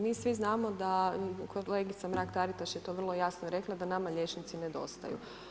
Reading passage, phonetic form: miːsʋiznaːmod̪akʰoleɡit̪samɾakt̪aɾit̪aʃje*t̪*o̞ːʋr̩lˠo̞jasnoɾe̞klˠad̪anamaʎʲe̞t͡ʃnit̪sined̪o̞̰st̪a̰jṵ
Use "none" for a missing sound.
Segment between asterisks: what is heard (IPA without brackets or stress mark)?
t̪